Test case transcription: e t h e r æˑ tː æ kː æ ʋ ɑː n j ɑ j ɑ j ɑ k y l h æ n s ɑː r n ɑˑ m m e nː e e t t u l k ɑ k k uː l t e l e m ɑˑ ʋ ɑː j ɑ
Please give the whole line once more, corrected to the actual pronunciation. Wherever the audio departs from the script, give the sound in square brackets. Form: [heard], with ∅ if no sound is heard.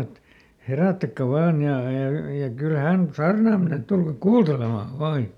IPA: e t h e r æˑ tː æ kː æ ʋ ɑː n j ɑ j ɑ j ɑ k y l h æ n s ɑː r n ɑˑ m m e [n] e e t t u l k ɑ k k uː l t e l e m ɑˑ ʋ ɑː j ɑ